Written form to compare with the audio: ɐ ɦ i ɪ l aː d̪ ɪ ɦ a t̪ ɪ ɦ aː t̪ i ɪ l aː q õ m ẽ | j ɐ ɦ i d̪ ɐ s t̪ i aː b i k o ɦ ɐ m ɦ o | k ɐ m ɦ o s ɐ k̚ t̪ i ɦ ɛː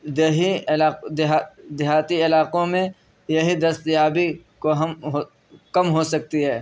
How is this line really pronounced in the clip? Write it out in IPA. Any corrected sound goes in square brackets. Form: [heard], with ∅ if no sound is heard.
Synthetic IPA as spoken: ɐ ɦ i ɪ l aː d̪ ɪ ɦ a [d̪] ɪ ɦ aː t̪ i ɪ l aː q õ m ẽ | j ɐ ɦ i d̪ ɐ s t̪ [j] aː b i k o ɦ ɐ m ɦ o | k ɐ m ɦ o s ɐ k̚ t̪ i ɦ ɛː